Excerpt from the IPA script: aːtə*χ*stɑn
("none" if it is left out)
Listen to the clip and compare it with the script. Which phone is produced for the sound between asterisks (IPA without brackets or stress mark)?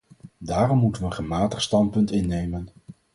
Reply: χ